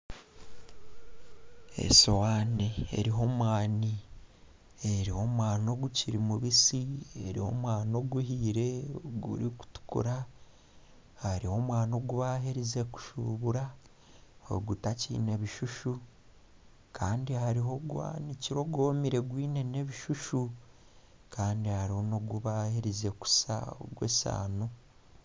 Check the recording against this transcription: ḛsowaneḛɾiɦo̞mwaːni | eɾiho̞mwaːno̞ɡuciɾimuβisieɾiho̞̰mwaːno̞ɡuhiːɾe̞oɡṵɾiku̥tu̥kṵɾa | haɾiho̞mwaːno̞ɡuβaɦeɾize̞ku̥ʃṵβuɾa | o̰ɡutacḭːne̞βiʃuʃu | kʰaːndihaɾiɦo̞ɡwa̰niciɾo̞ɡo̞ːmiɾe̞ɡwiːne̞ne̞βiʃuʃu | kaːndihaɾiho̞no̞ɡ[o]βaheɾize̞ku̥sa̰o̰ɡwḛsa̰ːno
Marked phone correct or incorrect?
incorrect